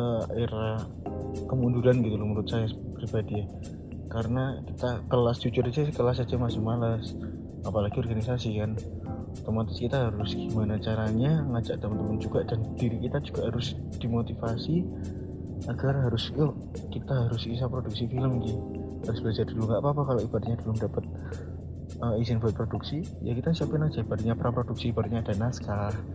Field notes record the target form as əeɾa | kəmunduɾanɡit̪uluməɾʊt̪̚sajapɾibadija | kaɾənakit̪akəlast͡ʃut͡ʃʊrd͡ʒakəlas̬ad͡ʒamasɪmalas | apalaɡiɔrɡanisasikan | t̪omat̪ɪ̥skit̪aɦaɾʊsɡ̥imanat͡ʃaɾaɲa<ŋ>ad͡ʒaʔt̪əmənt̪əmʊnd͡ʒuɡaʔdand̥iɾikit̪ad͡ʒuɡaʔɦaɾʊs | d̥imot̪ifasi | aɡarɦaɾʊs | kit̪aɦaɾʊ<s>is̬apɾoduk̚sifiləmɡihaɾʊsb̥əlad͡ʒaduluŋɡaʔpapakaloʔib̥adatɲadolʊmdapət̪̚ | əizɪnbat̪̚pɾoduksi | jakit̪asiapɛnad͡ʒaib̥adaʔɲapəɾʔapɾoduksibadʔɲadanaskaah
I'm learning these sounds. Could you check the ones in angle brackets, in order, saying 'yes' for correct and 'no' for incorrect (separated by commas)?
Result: yes, yes